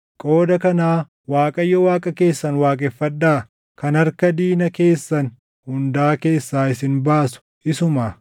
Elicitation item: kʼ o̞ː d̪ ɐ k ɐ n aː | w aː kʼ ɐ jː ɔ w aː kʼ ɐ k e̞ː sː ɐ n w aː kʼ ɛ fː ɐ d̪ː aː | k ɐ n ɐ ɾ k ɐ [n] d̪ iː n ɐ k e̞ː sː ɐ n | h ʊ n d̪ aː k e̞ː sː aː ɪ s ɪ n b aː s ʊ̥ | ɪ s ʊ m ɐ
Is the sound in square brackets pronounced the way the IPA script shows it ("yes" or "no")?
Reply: no